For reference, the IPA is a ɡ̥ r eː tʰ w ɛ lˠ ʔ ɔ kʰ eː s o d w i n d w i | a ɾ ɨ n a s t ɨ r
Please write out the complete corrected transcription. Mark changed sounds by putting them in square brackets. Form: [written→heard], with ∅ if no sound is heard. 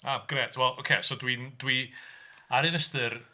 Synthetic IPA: a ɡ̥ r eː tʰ w ɛ lˠ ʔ [ɔ→o] kʰ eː s o d w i n d w i | a ɾ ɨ n [a→ə] s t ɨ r